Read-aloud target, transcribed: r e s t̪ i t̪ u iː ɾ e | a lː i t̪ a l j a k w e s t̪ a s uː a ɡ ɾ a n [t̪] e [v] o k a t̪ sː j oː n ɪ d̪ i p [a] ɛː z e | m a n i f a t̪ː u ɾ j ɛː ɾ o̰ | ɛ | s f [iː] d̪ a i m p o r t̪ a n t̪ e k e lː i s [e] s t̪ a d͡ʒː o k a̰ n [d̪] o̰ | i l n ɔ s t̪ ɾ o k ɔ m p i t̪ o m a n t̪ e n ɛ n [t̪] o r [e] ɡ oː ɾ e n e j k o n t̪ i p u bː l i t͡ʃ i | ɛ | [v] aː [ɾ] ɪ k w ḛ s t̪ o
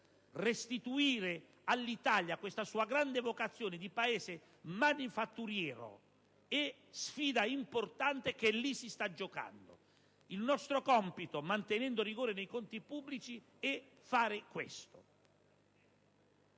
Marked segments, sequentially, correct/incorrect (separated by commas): incorrect, correct, correct, correct, incorrect, correct, incorrect, incorrect, incorrect, correct